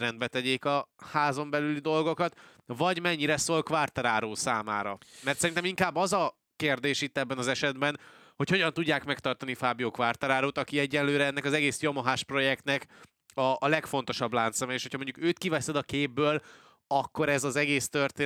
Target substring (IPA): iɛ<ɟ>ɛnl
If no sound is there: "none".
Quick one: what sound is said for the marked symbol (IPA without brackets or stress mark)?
ɟː